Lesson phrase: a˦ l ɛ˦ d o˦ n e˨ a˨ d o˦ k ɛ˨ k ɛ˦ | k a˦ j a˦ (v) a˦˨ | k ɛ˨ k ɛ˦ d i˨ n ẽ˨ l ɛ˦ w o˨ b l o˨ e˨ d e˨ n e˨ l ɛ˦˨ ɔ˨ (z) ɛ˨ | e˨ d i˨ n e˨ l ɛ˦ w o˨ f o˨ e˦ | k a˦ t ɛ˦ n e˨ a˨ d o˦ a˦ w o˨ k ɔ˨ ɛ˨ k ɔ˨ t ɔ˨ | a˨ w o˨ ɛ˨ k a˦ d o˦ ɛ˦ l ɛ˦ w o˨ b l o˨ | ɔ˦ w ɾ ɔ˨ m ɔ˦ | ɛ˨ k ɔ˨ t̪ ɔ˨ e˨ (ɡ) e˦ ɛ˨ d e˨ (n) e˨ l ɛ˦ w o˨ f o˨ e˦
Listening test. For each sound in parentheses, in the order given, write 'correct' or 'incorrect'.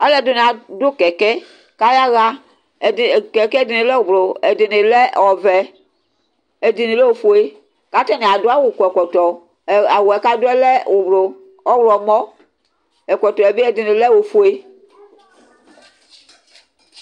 incorrect, incorrect, incorrect, correct

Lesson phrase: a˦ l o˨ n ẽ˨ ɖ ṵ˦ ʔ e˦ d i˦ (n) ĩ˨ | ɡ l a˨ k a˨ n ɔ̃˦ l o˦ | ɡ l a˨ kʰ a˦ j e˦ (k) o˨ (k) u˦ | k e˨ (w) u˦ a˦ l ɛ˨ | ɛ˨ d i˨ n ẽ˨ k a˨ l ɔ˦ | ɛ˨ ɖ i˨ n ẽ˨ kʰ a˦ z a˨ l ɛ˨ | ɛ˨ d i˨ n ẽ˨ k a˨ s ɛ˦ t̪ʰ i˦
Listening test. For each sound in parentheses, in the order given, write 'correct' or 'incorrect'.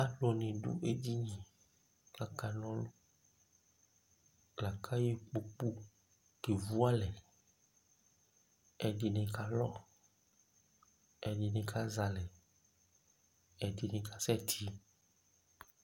incorrect, incorrect, incorrect, incorrect

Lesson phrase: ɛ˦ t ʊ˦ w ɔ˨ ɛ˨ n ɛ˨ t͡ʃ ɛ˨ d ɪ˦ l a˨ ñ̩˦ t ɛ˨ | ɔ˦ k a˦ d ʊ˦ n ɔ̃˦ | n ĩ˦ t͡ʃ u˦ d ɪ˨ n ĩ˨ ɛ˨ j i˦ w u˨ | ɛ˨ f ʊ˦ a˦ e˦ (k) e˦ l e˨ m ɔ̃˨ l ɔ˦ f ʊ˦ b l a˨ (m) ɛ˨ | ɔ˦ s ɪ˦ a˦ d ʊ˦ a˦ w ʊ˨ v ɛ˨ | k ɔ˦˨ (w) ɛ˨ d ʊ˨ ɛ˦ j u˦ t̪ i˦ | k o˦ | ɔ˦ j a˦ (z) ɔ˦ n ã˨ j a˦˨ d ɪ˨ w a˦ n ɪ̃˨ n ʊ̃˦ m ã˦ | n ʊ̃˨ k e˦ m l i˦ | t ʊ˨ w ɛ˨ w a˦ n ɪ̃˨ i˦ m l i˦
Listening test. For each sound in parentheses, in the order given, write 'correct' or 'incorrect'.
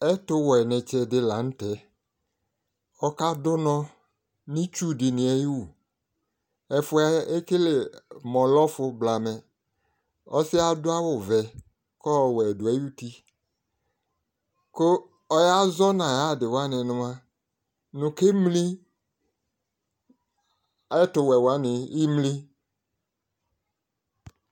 correct, correct, correct, correct

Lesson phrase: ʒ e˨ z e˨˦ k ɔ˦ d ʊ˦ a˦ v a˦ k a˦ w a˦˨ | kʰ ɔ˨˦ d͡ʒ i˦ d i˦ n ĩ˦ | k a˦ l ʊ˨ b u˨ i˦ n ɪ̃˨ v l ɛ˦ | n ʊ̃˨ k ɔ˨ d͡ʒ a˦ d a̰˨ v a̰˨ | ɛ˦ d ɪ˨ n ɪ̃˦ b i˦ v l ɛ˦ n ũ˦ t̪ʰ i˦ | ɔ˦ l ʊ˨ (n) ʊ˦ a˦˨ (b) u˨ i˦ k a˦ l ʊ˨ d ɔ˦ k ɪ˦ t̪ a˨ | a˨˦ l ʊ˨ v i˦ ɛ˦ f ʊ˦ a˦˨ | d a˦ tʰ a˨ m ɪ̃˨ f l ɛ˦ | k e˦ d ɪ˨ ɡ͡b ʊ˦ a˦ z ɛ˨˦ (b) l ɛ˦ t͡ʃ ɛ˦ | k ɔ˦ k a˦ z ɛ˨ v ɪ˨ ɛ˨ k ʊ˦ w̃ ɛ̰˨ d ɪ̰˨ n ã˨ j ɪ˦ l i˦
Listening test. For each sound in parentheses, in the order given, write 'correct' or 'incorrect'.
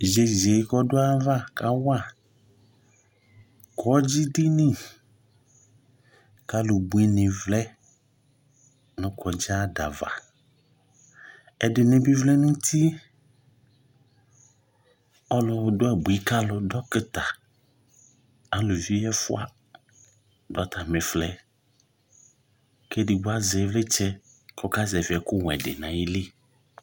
incorrect, correct, incorrect

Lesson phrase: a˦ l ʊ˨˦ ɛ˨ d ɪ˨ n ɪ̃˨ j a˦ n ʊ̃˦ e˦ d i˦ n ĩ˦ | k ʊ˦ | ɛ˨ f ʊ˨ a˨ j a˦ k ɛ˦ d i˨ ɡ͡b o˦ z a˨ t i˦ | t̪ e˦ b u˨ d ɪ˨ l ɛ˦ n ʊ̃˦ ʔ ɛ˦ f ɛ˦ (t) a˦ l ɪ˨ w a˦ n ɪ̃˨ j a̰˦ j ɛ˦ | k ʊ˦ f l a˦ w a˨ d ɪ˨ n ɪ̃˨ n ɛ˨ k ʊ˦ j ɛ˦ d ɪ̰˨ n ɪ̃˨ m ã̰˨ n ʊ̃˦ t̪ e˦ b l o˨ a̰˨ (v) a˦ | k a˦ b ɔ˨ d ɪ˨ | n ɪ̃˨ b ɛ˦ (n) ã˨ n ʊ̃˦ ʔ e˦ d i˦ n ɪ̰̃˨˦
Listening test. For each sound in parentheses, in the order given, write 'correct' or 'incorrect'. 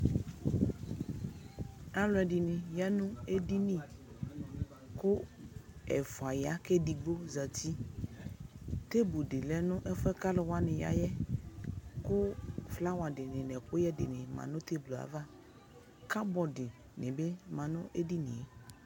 incorrect, correct, incorrect

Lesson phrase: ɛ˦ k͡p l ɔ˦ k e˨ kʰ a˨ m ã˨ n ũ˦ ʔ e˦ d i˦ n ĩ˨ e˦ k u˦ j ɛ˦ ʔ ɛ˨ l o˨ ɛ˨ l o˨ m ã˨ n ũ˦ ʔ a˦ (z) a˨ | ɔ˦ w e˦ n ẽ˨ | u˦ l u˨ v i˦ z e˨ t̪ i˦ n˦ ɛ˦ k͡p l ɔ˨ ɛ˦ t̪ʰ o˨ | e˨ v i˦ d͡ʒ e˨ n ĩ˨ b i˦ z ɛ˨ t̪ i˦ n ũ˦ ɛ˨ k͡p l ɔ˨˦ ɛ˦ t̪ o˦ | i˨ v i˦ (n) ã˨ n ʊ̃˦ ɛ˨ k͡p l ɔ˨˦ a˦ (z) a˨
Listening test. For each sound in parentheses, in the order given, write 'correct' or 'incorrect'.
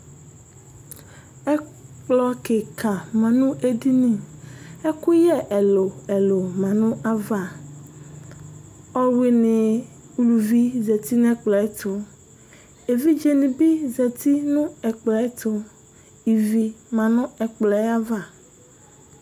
incorrect, incorrect, incorrect

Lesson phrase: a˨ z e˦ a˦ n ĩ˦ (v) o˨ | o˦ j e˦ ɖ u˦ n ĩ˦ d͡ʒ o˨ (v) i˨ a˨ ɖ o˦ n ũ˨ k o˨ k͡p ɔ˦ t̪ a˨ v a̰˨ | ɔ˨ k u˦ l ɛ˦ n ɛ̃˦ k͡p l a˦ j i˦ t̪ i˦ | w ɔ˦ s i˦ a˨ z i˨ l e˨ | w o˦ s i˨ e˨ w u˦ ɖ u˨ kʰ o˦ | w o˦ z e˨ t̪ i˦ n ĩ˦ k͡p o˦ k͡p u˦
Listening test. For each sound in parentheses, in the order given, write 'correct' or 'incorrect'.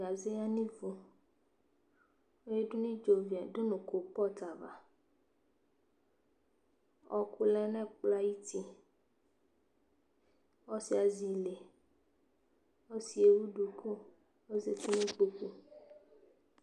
correct, correct

